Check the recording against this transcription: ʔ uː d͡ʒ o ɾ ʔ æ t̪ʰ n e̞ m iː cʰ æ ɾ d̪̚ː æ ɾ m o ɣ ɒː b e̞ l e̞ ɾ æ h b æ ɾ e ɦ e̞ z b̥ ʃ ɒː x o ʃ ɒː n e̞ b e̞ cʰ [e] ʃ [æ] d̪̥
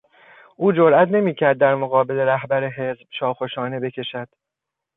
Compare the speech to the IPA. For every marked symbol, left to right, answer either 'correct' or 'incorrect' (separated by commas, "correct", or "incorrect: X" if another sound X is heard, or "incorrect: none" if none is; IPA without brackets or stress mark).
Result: correct, correct